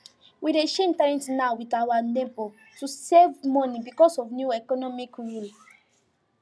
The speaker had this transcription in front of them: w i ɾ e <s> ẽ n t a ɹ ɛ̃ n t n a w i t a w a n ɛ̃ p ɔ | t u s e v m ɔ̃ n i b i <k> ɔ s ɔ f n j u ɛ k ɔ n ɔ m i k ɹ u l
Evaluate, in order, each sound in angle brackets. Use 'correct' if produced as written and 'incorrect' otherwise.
incorrect, correct

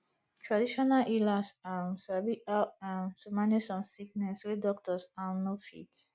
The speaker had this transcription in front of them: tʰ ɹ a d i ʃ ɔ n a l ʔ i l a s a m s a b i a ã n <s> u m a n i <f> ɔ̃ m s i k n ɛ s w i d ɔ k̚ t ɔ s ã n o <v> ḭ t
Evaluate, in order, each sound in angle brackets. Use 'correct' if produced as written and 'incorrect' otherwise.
correct, incorrect, incorrect

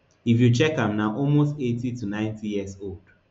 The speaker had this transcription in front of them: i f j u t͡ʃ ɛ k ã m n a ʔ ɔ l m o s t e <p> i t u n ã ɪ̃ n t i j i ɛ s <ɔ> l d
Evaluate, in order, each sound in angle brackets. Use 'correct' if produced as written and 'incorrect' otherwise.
incorrect, incorrect

